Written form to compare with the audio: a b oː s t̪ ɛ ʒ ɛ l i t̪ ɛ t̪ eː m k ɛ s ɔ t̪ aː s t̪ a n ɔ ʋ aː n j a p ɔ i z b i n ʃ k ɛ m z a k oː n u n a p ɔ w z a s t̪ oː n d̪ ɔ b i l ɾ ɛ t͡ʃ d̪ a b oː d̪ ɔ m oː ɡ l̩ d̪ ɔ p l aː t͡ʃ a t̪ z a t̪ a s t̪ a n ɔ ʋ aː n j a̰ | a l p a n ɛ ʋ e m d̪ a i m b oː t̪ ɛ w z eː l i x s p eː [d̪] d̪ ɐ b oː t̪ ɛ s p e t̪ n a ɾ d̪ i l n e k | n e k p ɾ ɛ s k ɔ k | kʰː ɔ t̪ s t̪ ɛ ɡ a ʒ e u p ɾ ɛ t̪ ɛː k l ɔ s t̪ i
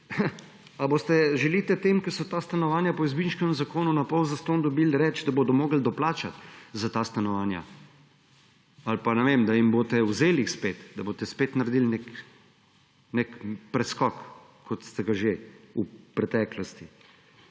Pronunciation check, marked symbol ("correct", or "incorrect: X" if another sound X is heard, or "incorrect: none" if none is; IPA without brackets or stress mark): incorrect: t̪